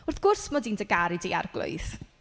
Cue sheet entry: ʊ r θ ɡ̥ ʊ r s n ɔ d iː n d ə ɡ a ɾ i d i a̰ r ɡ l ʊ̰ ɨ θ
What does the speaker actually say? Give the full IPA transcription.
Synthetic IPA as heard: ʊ r θ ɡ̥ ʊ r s m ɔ d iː n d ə ɡ a ɾ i d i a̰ r ɡ l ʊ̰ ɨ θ